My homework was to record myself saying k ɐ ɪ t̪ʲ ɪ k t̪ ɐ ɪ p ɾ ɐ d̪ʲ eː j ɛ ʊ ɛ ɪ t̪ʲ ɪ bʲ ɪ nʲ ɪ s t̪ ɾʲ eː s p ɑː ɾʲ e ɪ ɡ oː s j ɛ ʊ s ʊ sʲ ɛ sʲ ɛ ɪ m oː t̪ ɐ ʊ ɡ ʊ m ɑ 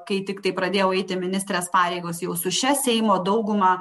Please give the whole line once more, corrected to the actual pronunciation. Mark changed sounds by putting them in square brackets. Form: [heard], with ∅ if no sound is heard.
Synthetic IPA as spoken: k ɐ ɪ t̪ʲ ɪ k t̪ ɐ ɪ p ɾ ɐ d̪ʲ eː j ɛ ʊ ɛ ɪ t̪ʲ ɪ [mʲ] ɪ nʲ ɪ s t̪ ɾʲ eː s p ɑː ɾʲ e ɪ ɡ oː s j ɛ ʊ s ʊ [ʃʲ] ɛ sʲ ɛ ɪ m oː [d̪] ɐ ʊ ɡ ʊ m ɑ